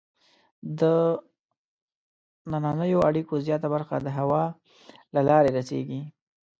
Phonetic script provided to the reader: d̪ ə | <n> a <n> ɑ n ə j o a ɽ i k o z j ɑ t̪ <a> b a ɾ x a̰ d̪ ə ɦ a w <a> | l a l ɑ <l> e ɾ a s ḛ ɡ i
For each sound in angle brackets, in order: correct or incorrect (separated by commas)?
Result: correct, correct, correct, incorrect, incorrect